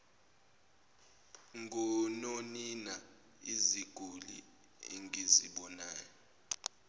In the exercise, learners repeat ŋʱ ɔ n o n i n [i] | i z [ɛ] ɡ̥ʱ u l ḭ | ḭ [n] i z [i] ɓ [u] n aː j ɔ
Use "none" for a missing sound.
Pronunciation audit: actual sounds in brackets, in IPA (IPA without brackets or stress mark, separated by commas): a, i, ŋ, i, ɔ